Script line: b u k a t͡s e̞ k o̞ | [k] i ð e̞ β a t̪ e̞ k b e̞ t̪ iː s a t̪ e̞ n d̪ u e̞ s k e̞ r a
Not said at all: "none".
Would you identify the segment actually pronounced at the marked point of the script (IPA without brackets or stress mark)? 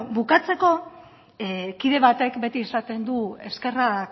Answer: k